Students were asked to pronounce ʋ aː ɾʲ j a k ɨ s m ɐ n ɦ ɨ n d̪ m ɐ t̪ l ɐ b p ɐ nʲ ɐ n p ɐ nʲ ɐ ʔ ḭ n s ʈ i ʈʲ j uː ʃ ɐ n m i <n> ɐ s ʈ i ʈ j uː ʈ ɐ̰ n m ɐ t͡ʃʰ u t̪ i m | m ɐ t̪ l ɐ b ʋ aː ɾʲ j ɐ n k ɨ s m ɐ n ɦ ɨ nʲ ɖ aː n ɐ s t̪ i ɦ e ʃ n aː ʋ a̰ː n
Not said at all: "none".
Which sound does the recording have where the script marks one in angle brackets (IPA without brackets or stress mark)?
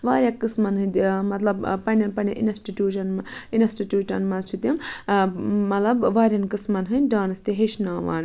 n